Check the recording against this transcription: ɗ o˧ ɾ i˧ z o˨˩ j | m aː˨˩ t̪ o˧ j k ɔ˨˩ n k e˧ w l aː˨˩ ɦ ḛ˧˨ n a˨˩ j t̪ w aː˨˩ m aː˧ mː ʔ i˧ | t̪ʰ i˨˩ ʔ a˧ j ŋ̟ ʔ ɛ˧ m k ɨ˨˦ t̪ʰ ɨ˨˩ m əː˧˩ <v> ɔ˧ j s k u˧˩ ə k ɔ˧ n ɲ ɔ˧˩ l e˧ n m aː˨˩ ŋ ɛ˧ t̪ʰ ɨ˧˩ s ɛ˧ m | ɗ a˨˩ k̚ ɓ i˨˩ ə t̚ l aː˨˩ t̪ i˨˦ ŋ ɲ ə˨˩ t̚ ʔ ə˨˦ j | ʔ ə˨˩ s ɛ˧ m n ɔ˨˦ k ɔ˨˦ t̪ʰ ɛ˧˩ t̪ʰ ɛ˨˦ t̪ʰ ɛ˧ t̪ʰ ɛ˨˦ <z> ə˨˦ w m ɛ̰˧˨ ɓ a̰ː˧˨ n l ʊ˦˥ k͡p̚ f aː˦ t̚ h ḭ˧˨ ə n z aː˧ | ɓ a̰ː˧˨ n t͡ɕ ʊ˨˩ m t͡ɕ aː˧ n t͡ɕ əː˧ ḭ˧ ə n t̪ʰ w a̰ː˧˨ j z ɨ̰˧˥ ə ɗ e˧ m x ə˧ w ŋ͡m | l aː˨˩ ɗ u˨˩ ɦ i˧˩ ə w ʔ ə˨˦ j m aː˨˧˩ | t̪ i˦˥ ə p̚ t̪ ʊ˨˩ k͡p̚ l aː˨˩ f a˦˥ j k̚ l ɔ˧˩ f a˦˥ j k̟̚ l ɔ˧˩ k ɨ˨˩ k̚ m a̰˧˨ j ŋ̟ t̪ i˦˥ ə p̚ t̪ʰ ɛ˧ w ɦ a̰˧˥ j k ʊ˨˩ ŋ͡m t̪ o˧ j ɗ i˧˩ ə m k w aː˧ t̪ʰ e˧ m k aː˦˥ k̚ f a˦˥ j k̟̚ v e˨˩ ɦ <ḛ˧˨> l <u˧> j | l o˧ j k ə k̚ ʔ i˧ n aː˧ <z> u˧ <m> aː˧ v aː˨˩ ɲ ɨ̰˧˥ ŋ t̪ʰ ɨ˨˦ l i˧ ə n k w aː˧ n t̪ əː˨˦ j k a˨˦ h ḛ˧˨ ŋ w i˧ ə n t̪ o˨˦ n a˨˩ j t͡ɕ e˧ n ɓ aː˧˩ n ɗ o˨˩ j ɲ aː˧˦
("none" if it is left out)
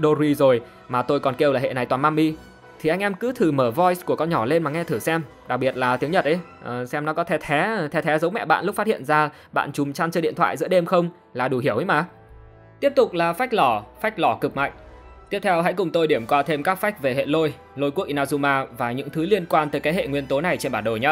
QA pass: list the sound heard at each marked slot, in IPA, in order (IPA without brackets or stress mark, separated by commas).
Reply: v, z, ḛ˧˨, o˧, z, m